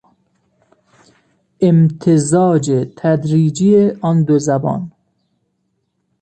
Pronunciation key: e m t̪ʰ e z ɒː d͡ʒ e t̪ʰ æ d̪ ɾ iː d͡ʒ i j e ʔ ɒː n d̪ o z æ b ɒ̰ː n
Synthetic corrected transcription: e m t̪ʰ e z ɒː d͡ʒ e t̪ʰ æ d̪ ɾ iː d͡ʒ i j e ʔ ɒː n d̪ o z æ b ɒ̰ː n